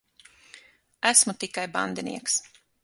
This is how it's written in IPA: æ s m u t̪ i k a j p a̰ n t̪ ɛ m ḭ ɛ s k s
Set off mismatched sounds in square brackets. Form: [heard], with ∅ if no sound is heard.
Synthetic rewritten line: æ s m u t̪ i k a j [b] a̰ n [d̪] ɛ [n] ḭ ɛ [∅] k s